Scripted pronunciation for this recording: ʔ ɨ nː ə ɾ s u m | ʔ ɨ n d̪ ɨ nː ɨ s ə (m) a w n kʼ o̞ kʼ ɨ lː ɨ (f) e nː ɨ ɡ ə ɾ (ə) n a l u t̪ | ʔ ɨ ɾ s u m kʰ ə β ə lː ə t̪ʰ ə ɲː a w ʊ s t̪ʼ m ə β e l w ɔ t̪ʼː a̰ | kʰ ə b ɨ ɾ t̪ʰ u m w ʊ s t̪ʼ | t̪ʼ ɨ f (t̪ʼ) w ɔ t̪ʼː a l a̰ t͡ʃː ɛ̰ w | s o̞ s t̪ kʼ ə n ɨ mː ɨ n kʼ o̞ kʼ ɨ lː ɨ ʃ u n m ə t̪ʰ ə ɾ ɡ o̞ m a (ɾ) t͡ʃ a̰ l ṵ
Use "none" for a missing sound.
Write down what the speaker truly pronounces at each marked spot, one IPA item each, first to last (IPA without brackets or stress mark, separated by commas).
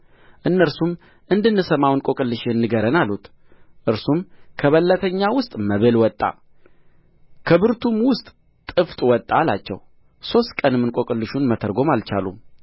m, ʃ, ə, t̪ʼ, l